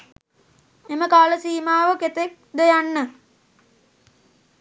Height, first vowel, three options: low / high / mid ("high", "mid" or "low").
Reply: mid